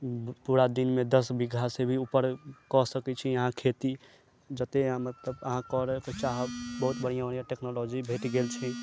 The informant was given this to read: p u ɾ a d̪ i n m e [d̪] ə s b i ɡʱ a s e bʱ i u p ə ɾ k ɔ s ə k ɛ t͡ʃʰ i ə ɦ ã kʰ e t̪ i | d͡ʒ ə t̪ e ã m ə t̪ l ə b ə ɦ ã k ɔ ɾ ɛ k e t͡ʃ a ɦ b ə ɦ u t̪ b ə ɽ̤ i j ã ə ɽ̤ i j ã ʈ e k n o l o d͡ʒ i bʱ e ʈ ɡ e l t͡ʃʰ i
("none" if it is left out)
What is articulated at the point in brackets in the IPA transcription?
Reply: d̪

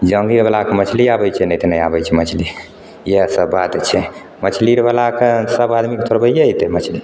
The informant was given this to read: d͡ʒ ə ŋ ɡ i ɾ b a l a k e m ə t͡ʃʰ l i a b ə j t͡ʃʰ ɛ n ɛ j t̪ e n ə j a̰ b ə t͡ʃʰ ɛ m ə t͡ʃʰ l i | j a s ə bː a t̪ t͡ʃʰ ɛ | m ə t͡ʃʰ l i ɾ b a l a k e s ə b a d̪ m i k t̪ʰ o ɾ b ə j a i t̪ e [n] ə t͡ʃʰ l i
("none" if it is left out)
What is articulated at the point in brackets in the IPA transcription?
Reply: m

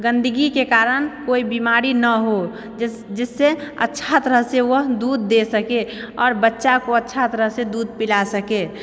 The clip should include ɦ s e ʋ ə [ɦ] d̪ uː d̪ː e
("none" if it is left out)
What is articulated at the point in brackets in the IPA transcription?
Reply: ɦ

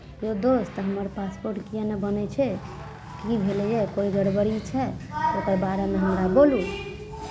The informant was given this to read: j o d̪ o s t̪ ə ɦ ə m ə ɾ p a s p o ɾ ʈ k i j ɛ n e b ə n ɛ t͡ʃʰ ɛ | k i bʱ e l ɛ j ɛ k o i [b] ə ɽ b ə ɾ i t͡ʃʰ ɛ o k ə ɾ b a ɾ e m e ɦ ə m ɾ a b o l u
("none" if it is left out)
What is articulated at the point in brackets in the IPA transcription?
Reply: ɡ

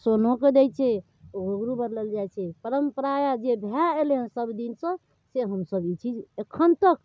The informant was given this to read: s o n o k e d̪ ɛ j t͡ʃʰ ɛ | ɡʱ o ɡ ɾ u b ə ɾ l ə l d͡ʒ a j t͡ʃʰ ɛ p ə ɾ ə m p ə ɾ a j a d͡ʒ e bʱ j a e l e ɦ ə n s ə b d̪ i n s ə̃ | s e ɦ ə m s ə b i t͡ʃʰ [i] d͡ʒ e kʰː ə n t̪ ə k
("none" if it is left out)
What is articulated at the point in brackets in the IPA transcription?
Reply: i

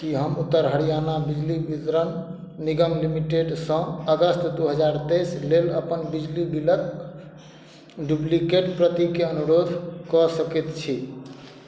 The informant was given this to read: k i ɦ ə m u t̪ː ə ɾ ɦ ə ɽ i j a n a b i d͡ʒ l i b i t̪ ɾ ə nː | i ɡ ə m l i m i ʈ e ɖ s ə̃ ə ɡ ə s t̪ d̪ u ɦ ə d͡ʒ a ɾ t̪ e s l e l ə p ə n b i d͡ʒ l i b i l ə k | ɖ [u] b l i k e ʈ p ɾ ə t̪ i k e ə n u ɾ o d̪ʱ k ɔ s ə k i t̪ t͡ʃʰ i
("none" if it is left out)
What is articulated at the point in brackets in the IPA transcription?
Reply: u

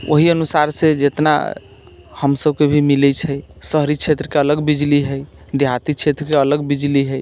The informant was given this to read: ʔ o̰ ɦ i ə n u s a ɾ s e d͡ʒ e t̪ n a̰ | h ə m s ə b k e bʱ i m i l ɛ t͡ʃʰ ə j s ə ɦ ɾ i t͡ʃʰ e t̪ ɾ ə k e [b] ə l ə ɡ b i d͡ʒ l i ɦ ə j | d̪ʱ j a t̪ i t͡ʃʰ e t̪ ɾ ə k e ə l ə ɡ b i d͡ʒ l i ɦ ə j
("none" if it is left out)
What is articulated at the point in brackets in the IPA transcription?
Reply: none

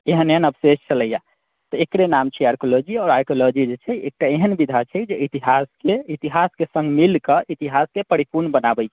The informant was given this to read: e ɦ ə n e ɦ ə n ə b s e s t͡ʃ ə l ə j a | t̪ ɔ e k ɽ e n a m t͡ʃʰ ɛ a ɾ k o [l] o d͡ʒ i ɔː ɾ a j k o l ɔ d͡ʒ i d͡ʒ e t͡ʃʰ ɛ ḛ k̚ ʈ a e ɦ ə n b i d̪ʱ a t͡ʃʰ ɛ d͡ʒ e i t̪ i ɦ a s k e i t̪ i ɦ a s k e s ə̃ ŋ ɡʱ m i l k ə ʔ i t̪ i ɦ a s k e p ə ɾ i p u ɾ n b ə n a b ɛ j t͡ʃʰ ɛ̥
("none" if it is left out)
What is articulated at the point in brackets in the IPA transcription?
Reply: l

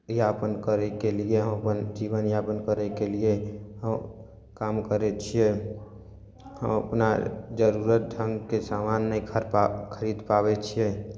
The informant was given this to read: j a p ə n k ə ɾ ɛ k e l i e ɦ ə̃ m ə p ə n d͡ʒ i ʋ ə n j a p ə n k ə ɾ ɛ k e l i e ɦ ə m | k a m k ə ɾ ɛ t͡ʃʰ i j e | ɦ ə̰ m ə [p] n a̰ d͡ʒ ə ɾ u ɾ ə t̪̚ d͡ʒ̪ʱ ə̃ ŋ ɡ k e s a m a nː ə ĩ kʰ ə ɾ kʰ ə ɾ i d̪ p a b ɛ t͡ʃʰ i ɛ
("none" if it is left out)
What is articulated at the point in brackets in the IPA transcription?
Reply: p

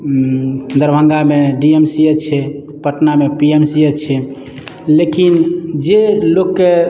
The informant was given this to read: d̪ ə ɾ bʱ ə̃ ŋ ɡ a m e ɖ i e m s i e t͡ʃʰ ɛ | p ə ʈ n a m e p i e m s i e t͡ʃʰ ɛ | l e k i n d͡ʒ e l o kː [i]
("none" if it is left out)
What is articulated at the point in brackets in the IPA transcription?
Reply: e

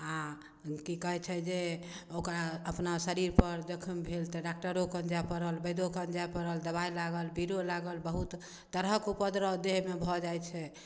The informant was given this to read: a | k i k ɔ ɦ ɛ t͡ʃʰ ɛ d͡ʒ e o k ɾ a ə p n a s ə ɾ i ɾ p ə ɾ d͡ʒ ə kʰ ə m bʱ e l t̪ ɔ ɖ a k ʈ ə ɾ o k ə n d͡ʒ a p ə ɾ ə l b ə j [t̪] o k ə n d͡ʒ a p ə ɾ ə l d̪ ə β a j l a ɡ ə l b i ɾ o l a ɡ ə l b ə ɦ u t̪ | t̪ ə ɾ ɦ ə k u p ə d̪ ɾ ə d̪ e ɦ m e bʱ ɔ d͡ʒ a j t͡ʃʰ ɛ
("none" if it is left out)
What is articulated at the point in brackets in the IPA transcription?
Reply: d̪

